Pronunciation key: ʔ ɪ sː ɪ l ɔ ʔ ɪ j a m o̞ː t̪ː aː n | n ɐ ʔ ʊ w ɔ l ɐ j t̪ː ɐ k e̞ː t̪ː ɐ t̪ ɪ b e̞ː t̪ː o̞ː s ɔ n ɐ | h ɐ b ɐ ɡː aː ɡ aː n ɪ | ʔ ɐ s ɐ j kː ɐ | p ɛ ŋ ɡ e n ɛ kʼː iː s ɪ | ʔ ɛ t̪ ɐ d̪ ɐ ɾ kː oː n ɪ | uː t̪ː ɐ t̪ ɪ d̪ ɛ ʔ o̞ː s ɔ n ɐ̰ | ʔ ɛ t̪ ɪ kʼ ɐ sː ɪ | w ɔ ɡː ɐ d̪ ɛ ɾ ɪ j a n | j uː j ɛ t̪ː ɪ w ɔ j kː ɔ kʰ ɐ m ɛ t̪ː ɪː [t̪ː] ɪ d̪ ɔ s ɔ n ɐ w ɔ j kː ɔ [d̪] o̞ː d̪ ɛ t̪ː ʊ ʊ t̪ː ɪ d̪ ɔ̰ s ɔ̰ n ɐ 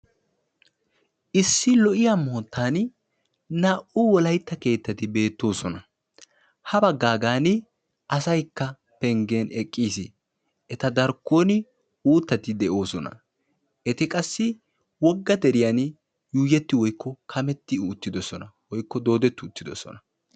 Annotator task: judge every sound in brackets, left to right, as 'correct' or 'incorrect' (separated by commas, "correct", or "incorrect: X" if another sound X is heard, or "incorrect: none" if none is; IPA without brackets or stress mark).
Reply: correct, correct